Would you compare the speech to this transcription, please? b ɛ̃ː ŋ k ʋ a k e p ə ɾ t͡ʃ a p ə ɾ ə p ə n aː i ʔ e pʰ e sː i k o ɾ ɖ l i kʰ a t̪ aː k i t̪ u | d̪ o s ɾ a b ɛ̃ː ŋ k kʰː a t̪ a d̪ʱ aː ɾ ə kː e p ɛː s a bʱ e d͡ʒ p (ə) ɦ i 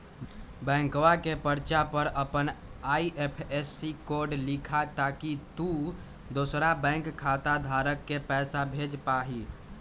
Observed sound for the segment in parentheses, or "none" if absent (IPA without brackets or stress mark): a